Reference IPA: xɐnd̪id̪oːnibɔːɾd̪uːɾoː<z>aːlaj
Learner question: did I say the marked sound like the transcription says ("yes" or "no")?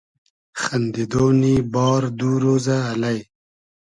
yes